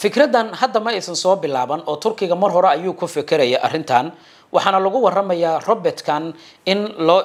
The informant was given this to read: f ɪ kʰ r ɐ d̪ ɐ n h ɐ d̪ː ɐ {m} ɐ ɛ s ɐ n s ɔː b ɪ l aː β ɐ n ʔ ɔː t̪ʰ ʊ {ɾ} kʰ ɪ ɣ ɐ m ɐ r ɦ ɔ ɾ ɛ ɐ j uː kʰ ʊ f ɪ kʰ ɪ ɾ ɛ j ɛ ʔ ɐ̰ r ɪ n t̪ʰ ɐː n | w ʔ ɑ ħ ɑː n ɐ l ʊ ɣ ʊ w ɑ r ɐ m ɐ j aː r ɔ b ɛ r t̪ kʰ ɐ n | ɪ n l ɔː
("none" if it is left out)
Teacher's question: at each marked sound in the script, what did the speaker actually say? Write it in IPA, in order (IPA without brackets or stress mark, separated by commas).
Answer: m, r